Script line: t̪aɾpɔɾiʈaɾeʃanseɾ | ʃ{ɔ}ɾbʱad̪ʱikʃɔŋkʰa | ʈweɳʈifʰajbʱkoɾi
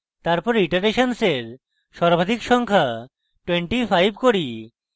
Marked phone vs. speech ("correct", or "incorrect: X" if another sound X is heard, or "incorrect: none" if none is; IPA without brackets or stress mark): correct